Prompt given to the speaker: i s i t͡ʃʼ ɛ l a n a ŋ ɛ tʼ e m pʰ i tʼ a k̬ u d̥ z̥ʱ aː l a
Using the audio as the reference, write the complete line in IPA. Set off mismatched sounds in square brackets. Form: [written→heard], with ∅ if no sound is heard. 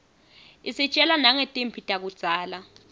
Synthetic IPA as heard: i s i t͡ʃʼ ɛ l a n a ŋ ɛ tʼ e m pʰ i tʼ a k̬ u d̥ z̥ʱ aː l a